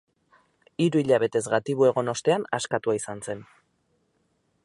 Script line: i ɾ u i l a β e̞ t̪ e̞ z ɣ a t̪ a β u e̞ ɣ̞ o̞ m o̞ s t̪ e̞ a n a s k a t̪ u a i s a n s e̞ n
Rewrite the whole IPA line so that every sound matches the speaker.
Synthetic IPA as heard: i ɾ u i ʎ a β e̞ t̪ e̞ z ɣ a t̪ i β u e̞ ɣ̞ o̞ n o̞ s t̪ e̞ a n a s k a t̪ u a i s a n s e̞ n